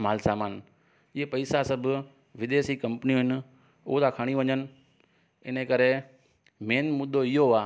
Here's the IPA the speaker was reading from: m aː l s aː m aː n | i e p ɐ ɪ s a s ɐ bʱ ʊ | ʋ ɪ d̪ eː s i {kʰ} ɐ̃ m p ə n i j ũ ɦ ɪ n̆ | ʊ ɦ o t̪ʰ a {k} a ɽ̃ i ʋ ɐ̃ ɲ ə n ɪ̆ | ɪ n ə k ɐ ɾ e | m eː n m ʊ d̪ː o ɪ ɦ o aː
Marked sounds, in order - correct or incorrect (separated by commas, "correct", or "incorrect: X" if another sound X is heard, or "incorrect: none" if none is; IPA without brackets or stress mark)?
incorrect: k, incorrect: kʰ